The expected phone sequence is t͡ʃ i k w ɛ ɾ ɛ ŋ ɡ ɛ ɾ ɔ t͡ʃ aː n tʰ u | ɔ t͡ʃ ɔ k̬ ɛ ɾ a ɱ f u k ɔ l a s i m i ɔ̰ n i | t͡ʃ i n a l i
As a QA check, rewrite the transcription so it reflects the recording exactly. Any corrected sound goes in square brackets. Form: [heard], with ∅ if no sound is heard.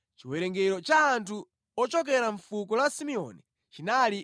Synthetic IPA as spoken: t͡ʃ i [∅] w ɛ ɾ ɛ ŋ ɡ ɛ ɾ ɔ t͡ʃ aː n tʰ u | ɔ t͡ʃ ɔ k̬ ɛ ɾ a ɱ f u k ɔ l a s i m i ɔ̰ n i | t͡ʃ i n a l i